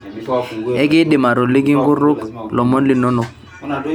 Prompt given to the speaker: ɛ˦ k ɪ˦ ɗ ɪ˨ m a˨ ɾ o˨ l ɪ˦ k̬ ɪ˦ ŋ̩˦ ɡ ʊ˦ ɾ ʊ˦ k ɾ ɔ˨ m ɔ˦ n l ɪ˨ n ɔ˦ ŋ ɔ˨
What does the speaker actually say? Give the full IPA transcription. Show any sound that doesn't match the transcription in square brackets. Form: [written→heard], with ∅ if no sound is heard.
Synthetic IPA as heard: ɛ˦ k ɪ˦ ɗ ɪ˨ m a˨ ɾ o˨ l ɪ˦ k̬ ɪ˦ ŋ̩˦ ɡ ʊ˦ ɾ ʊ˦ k [ɾ→l] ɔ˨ m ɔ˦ n l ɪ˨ n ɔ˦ [ŋ→n] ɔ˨